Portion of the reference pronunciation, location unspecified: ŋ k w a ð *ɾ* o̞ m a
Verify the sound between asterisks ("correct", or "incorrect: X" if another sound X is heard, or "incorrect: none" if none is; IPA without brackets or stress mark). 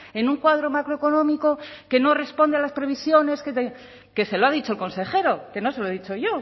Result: correct